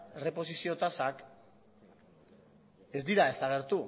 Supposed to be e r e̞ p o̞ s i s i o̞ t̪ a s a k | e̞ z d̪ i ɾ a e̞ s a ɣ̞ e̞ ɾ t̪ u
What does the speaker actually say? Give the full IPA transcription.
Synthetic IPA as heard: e r e̞ p o̞ s i s i o̞ t̪ a s a k | e̞ z d̪ i ɾ a e̞ s a ɣ̞ e̞ ɾ t̪ u